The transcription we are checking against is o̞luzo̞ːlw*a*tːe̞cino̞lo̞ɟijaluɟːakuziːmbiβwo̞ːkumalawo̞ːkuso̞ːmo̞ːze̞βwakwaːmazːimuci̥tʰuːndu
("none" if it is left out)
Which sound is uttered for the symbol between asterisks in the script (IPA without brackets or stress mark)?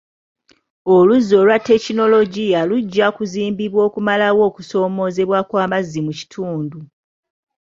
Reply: a